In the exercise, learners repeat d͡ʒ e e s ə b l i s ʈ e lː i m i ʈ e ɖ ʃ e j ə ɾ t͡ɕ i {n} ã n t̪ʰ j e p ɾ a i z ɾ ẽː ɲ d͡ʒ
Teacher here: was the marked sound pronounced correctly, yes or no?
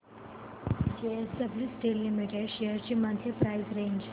no